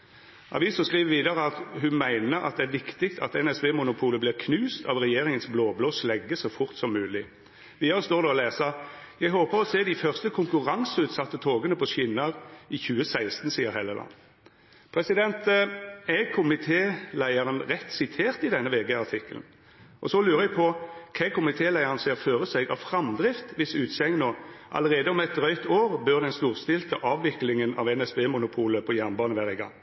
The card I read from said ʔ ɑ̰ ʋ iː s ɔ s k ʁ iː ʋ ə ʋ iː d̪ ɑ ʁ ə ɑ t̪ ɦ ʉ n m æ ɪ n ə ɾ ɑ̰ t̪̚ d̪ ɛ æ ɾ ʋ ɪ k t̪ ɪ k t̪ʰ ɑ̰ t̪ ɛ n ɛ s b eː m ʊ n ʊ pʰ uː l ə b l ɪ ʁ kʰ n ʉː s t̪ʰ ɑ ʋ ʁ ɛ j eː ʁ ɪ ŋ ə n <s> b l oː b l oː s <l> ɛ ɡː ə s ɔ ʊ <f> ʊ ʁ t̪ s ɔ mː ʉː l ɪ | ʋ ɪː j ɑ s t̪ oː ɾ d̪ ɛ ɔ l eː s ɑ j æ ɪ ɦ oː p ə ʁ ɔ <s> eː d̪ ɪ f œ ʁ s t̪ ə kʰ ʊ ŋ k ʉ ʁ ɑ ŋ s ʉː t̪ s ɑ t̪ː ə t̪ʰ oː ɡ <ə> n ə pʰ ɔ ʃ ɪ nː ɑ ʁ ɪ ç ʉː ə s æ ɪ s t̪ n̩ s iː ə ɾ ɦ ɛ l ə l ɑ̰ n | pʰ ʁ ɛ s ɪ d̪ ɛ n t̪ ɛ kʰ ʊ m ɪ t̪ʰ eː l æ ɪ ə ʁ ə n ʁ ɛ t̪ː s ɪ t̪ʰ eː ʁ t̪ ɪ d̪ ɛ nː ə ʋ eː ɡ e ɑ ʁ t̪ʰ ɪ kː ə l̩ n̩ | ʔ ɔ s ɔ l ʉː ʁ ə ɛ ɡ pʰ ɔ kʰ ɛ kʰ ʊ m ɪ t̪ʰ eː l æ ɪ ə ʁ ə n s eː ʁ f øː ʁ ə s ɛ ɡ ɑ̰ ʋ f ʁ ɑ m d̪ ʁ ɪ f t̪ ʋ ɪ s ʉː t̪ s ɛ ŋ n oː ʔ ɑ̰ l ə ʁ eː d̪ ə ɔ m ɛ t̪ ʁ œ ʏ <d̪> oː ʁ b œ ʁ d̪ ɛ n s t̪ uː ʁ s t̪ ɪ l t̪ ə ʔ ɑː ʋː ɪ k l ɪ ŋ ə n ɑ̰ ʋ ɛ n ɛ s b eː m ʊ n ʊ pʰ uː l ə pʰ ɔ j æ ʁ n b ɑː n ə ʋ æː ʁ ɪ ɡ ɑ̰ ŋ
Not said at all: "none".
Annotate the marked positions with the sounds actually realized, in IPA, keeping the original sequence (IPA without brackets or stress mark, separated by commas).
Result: s, l, f, s, ə, t̪